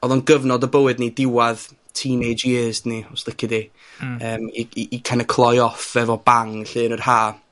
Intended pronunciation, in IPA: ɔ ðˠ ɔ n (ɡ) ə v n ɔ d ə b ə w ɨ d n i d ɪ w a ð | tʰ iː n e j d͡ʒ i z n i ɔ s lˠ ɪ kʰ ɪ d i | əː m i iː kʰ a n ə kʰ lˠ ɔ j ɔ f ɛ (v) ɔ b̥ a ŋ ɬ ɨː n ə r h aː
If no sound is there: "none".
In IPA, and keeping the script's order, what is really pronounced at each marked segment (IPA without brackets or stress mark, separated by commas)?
ɡ, v